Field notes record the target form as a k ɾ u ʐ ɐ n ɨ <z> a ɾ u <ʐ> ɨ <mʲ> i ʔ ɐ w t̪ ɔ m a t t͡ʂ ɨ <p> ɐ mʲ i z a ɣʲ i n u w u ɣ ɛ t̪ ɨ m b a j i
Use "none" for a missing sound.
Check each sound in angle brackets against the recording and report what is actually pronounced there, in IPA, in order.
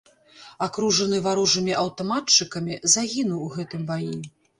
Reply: v, ʐ, mʲ, k

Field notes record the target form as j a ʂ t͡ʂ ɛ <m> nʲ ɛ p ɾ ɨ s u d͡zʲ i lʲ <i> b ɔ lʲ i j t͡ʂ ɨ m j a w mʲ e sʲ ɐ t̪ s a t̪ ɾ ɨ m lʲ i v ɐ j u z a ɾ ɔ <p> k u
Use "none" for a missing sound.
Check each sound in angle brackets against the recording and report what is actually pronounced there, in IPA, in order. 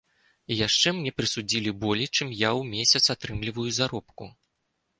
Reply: m, i, p

